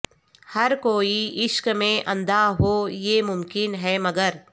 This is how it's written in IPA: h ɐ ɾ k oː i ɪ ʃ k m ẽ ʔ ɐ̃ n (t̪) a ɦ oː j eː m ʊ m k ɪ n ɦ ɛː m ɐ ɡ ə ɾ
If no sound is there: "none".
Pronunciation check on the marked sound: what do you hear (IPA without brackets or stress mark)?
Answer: d̪